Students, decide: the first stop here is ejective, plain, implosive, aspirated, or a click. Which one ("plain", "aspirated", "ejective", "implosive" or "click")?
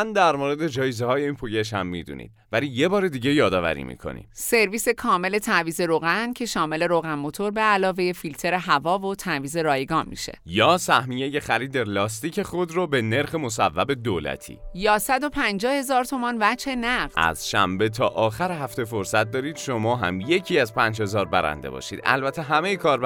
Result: plain